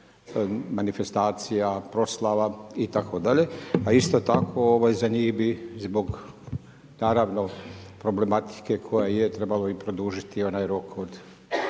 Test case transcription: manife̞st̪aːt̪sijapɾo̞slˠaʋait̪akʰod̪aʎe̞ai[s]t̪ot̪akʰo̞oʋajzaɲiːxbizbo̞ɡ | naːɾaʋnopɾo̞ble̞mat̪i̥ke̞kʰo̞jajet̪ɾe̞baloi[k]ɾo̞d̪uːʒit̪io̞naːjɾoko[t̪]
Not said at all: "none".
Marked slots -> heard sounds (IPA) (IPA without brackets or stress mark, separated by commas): s, p, d̪